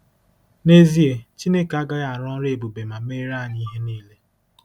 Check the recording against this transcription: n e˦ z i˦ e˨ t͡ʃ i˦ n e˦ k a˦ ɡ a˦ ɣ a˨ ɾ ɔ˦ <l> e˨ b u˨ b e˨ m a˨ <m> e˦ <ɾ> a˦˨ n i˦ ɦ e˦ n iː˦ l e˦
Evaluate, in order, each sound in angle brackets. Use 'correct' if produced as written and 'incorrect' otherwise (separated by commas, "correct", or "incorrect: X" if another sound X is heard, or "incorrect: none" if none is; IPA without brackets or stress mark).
incorrect: ɾ, correct, correct